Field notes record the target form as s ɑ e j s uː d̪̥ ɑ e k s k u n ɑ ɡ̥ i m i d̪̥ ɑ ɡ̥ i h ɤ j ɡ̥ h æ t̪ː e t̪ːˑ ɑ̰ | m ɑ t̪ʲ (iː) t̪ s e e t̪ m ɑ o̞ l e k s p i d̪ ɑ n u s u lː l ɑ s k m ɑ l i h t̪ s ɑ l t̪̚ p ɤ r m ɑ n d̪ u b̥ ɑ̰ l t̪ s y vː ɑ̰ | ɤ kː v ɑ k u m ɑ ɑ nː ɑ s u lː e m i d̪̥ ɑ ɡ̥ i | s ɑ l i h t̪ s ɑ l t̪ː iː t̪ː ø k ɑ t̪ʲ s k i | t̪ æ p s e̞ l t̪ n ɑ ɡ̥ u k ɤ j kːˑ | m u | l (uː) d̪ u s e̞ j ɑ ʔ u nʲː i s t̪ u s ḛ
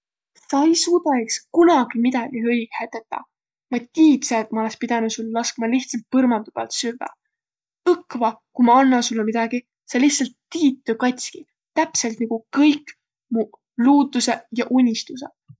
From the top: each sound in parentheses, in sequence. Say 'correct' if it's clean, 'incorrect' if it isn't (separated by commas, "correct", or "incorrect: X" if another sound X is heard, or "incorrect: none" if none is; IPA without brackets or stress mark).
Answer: correct, correct